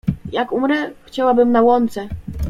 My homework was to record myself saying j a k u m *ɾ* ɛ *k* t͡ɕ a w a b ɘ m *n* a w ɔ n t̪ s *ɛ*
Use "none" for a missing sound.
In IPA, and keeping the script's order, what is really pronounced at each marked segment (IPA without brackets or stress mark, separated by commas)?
ɾ, x, n, ɛ